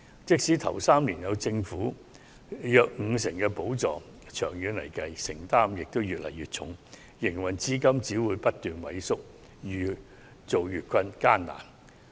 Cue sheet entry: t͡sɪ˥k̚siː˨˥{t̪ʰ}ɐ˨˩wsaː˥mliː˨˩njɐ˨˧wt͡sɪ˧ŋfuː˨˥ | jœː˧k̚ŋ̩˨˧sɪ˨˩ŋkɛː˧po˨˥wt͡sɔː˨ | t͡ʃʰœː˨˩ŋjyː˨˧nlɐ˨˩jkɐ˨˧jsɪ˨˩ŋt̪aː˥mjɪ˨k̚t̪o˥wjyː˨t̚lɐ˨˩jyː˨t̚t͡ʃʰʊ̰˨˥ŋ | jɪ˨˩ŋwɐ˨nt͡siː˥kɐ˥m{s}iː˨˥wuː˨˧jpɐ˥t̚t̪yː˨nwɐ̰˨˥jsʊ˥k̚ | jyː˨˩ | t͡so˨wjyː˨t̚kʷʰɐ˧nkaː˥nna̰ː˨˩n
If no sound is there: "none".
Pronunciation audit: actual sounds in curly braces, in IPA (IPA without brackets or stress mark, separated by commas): t̪ʰ, t͡s